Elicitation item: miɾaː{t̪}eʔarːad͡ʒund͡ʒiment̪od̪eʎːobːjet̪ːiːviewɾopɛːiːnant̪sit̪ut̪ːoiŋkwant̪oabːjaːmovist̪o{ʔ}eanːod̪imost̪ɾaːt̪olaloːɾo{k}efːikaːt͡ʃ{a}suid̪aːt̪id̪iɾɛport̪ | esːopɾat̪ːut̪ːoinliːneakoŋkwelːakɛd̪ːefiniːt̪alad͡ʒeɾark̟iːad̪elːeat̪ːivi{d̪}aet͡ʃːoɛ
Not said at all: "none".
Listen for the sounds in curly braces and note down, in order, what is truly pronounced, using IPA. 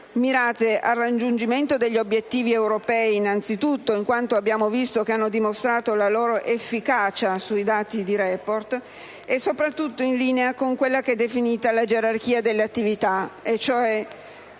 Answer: t̪, k, ʔ, a, t̪

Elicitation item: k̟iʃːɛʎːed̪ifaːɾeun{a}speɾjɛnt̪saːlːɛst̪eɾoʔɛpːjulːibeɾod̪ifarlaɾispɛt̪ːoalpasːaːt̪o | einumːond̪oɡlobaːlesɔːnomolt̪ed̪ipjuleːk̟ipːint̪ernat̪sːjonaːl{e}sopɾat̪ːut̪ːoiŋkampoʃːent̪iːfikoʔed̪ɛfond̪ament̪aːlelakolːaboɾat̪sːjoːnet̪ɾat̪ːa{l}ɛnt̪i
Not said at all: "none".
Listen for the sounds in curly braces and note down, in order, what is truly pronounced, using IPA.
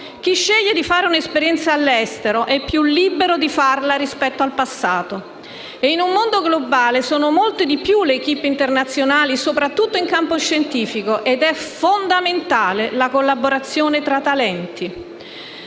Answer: e, i, l

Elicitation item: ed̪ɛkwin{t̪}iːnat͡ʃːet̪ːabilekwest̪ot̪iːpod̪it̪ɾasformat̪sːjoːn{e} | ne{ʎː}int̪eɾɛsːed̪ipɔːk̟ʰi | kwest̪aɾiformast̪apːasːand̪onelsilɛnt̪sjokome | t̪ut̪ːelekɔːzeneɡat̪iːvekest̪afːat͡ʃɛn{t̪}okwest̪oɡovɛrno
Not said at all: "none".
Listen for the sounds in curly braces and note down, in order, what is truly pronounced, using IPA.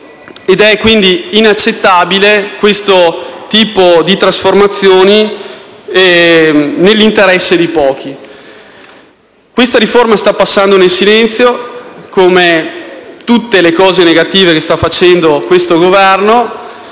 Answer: d̪, i, lː, d̪

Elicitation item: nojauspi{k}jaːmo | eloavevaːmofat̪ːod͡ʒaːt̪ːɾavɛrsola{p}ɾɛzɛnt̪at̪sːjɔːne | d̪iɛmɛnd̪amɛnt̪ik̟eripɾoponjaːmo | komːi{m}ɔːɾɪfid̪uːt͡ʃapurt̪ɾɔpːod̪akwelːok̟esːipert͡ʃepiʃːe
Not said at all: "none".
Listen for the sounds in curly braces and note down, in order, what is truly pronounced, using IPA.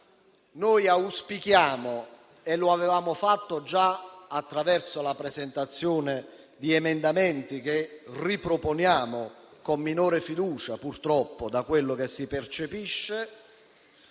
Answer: k, p, n

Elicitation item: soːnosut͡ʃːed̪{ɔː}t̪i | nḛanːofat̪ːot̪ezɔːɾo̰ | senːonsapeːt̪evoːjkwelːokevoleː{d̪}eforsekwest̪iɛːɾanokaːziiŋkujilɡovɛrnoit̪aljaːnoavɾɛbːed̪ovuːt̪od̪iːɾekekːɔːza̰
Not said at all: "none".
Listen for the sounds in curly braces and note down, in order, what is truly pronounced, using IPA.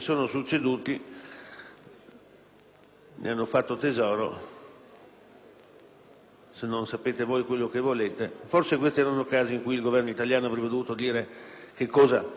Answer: uː, t̪

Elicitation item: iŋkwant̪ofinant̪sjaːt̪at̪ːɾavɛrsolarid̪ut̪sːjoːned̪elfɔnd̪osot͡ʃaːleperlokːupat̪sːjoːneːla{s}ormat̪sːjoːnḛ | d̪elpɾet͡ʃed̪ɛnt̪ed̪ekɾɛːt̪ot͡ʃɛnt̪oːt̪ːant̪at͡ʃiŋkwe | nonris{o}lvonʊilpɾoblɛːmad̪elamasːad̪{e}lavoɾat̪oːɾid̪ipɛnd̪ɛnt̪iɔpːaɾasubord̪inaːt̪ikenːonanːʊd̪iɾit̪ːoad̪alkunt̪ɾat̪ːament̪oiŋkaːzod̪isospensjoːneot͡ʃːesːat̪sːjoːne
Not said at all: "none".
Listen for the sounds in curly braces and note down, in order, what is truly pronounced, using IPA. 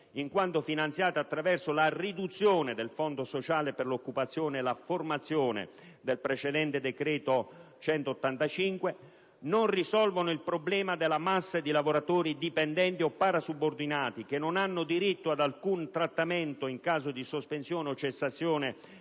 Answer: f, ɔ, i

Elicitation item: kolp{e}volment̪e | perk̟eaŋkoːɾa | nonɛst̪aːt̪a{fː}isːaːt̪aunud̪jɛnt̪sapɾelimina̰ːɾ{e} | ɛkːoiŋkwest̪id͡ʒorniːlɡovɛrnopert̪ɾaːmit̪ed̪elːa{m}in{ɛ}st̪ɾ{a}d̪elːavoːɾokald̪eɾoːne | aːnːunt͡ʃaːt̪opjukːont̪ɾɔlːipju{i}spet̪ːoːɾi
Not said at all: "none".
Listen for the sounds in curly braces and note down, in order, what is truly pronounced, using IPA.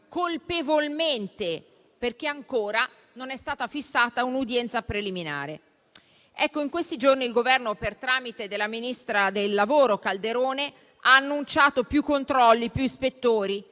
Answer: e, f, e, m, i, a, i

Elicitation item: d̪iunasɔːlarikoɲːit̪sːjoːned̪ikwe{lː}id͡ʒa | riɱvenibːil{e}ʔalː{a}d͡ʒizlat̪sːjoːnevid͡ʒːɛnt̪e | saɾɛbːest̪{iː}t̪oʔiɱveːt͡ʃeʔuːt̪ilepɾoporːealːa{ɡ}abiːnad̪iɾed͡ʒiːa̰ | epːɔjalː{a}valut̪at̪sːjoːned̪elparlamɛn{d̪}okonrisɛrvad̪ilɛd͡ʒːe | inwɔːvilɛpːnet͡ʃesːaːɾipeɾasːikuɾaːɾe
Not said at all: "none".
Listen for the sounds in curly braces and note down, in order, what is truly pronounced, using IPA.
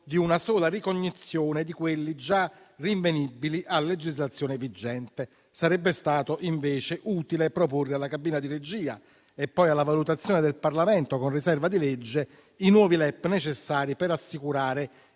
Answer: lː, i, e, aː, k, a, t̪

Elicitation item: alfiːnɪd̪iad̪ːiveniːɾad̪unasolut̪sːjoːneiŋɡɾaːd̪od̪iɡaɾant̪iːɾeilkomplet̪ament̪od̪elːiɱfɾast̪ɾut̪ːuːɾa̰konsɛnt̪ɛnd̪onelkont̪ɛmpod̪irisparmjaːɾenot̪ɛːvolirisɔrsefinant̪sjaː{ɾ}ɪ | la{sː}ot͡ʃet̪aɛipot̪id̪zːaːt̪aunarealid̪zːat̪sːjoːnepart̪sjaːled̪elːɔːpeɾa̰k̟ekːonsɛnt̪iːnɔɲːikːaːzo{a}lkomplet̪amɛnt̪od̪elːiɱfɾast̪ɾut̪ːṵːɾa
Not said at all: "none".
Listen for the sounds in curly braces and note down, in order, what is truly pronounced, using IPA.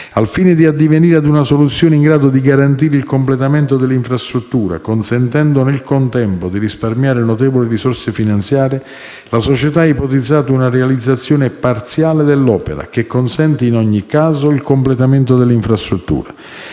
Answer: ɾ, s, i

